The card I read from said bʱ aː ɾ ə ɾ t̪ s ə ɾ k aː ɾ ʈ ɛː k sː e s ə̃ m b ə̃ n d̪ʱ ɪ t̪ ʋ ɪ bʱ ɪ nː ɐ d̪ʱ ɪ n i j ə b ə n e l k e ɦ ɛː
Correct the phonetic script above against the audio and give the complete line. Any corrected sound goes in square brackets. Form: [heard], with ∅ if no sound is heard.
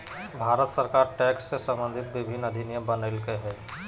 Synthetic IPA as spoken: bʱ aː ɾ ə [∅] t̪ s ə ɾ k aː ɾ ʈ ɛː k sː e s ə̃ m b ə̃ n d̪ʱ ɪ t̪ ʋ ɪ bʱ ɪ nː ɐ d̪ʱ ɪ n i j ə b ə n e l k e ɦ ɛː